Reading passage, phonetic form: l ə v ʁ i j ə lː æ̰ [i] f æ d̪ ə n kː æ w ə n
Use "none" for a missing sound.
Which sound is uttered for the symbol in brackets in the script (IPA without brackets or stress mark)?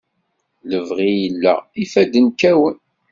i